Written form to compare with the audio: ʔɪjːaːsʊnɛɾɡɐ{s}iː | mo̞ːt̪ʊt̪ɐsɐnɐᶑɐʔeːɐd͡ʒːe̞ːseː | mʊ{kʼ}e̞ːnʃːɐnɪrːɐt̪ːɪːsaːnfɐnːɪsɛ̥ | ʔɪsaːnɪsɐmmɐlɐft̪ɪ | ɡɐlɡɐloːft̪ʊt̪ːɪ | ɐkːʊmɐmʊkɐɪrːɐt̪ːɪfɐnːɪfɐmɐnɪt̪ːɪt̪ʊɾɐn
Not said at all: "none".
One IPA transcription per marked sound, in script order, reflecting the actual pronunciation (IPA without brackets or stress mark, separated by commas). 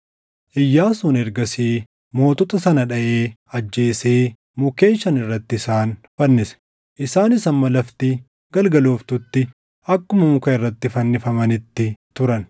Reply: s, k